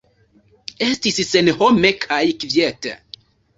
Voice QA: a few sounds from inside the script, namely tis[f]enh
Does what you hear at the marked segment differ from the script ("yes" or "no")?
yes